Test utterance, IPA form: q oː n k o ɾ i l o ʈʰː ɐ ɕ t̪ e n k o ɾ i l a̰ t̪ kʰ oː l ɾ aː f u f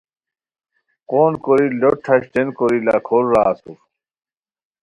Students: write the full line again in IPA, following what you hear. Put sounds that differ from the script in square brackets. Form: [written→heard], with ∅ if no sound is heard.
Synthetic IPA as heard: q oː n k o ɾ i l o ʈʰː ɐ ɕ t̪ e n k o ɾ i l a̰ [t̪→∅] kʰ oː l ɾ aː [f→s] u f